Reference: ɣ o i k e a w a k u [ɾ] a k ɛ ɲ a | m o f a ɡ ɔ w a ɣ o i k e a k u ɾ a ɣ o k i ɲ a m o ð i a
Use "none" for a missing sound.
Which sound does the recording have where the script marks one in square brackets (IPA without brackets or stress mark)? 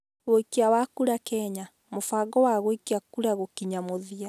ɾ